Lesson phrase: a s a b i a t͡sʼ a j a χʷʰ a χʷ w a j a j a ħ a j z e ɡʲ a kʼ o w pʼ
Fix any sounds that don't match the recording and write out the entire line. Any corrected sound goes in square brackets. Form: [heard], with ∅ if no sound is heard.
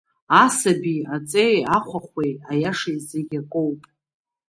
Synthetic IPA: a s a b i a t͡sʼ [e] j a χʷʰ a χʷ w [e] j a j a [ʂ] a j z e ɡʲ a kʼ o w pʼ

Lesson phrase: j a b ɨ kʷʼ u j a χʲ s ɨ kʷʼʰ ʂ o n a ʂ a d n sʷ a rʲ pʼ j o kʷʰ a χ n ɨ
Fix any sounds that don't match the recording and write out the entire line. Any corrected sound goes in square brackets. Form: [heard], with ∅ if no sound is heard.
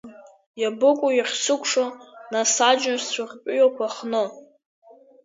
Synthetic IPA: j a b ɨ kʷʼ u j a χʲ s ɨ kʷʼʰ ʂ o n a [s] a [d͡ʒ] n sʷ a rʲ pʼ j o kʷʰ a χ n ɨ

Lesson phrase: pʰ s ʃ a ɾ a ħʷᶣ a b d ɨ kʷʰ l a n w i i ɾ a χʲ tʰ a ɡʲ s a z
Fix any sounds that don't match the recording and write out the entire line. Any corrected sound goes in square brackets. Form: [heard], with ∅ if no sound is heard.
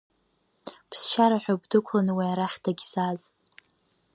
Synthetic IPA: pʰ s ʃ a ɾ a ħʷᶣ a b d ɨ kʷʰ l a n w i [a] ɾ a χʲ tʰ a ɡʲ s a z

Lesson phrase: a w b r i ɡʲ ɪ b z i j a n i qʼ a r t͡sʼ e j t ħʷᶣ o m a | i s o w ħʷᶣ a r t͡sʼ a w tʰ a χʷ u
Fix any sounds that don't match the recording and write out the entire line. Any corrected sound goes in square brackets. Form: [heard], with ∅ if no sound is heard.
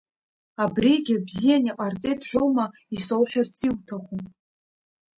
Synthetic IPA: a [∅] b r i ɡʲ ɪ b z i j a n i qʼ a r t͡sʼ e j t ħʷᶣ o m a | i s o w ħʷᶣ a r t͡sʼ [i] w tʰ a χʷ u

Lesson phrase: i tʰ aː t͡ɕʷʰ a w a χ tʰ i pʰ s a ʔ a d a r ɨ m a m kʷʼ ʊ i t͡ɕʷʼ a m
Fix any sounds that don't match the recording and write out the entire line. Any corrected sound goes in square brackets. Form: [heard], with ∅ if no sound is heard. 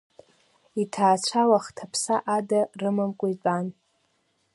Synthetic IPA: i tʰ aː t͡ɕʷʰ a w a χ tʰ [a] pʰ s a ʔ a d a r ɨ m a m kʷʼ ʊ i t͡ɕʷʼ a [n]

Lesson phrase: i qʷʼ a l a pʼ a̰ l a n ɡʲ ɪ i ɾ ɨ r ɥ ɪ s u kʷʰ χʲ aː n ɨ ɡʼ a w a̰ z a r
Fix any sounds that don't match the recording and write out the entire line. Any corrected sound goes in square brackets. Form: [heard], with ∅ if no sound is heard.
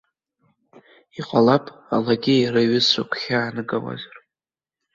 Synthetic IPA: i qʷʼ a l a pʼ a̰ l a [∅] ɡʲ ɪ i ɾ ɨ [∅] ɥ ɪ s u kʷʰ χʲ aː n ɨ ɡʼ a w a̰ z a r

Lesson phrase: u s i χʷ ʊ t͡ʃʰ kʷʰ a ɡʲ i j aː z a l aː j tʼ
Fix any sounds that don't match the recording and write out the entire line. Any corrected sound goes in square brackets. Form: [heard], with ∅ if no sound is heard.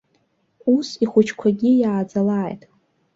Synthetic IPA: u s i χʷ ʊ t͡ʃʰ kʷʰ a ɡʲ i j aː [d͡z] a l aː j tʼ

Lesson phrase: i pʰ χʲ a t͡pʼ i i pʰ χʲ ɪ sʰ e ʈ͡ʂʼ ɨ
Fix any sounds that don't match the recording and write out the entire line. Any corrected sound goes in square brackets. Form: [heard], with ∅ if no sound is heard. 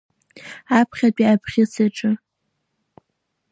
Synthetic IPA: [a] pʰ χʲ a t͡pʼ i [a] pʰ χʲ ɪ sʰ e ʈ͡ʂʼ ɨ

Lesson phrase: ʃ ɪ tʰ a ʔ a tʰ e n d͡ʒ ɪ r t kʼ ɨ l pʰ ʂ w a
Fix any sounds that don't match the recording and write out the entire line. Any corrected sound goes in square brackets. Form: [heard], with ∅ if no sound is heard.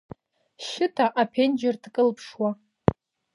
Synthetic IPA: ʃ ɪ tʰ a ʔ a [pʰ] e n d͡ʒ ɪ r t kʼ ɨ l pʰ ʂ w a

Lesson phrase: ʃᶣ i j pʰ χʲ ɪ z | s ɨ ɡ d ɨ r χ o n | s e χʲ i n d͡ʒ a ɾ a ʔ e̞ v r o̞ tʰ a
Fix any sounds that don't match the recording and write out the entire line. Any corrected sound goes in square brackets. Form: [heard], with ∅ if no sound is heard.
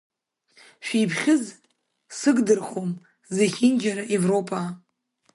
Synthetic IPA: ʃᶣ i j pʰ χʲ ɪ z | s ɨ ɡ d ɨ r χ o [m] | [z] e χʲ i n d͡ʒ a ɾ a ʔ e̞ v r o̞ [pʰ] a

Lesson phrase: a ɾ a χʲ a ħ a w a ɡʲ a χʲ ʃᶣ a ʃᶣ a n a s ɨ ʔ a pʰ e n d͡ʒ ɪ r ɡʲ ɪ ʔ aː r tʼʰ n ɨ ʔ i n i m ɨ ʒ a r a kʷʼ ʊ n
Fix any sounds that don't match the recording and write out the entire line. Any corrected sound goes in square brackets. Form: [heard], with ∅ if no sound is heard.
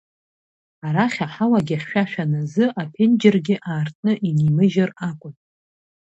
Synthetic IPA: a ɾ a χʲ a ħ a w a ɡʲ a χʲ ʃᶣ a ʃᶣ a n a [z] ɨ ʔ a pʰ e n d͡ʒ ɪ r ɡʲ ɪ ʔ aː r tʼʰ n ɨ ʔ i n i m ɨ ʒ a r a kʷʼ ʊ n

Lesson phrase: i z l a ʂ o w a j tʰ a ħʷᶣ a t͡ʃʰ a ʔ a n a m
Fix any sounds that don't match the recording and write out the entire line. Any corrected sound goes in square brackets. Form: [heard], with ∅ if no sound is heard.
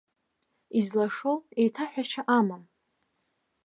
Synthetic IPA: i z l a ʂ o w [e] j tʰ a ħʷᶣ a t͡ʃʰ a ʔ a [m] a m

